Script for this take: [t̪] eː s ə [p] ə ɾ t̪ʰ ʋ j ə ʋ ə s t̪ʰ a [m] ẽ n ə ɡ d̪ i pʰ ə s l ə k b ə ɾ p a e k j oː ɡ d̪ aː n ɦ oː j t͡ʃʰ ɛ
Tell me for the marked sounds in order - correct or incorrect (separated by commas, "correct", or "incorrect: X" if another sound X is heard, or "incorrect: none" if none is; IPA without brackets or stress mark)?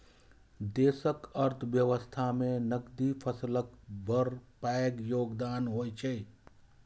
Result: incorrect: d̪, incorrect: k, correct